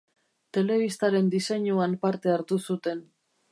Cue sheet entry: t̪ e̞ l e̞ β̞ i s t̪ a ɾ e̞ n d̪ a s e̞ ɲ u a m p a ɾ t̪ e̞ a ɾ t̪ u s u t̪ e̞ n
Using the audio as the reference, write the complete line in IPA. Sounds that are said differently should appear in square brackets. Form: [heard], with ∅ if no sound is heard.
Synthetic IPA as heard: t̪ e̞ l e̞ β̞ i s t̪ a ɾ e̞ n d̪ [i] s e̞ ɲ u a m p a ɾ t̪ e̞ a ɾ t̪ u s u t̪ e̞ n